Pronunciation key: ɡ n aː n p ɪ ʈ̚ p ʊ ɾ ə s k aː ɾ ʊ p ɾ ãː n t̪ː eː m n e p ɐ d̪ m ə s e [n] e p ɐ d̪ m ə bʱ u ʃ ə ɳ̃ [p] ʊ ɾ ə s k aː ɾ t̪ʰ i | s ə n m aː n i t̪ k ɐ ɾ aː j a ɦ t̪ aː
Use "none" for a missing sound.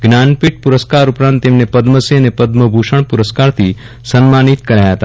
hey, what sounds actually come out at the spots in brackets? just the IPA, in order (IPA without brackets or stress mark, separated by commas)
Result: n, p